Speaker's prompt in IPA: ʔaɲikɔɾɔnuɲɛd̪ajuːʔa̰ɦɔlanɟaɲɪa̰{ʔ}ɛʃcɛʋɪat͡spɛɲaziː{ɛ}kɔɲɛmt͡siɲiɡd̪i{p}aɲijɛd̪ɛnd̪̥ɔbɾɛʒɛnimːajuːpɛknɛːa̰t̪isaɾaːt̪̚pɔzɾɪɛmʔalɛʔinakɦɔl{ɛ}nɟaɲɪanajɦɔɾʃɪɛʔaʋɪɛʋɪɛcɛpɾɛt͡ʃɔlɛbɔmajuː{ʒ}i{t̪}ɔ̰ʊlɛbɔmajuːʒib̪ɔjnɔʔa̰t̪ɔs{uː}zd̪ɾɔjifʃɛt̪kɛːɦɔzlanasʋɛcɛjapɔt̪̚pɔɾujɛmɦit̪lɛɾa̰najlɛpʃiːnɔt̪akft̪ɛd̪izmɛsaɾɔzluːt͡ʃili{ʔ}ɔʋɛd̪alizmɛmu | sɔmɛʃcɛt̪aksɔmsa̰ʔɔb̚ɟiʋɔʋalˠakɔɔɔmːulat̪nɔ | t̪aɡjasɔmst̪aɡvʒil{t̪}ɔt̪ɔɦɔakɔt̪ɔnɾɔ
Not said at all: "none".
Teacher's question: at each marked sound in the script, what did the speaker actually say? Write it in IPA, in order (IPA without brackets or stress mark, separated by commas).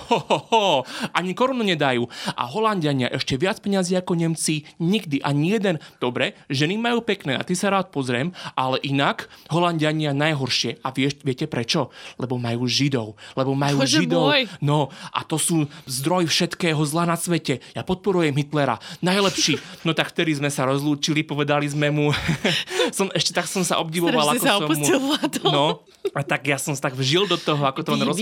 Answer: ʔ, a, ʔ, a, ʒ, d̪, uː, p, d̪